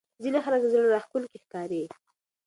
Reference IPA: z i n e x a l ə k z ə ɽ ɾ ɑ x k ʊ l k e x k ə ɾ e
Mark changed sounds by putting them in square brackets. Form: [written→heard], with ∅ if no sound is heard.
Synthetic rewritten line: z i n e x a l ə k z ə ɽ ɾ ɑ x k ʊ l k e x k [ə→ɑ] ɾ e